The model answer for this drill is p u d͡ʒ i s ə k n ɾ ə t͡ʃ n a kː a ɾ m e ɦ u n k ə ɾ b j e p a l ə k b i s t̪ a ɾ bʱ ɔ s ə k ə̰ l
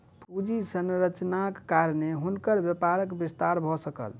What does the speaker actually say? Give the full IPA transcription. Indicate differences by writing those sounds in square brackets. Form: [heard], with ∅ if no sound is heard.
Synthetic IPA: p u d͡ʒ i s ə [∅] n ɾ ə t͡ʃ n a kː a ɾ [n] e ɦ u n k ə ɾ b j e p a [ɾ] ə k b i s t̪ a ɾ bʱ ɔ s ə k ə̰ l